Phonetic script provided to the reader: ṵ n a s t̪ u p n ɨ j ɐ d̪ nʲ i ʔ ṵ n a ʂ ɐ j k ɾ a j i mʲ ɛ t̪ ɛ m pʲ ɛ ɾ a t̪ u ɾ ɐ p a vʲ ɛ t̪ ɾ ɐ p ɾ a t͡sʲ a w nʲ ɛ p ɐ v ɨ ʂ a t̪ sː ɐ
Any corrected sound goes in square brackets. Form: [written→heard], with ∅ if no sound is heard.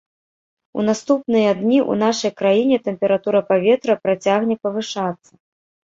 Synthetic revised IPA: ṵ n a s t̪ u p n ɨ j ɐ d̪ nʲ i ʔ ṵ n a ʂ ɐ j k ɾ a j i [mʲ→nʲ] ɛ t̪ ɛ m pʲ ɛ ɾ a t̪ u ɾ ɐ p a vʲ ɛ t̪ ɾ ɐ p ɾ a t͡sʲ a [w→ɣ] nʲ ɛ p ɐ v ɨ ʂ a t̪ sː ɐ